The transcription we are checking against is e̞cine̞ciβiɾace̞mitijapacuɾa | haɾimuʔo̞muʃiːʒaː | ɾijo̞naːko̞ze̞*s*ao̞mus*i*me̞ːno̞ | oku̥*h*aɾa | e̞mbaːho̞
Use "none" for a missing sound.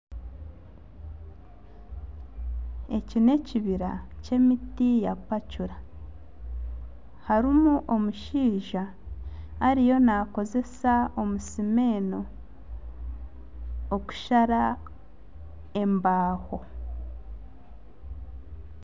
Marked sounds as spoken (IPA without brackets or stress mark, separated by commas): s, i, ʃ